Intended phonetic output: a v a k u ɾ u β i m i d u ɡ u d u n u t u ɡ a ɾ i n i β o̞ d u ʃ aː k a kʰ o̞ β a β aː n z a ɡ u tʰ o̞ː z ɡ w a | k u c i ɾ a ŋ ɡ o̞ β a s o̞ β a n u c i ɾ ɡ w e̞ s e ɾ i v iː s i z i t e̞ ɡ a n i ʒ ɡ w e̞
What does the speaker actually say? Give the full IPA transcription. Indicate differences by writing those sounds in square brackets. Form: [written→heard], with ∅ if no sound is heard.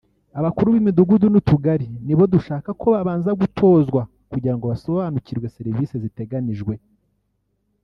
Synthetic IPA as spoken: a [v→β] a k u ɾ u β i m i d u ɡ u d u n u t u ɡ a ɾ i n i β o̞ d u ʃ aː k a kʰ o̞ β a β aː n z a ɡ u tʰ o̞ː z ɡ w a | k u [c→ɟ] i ɾ a ŋ ɡ o̞ β a s o̞ β a n u c i ɾ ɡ w e̞ s e ɾ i v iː s [i→e] z i t e̞ ɡ a n i ʒ ɡ w e̞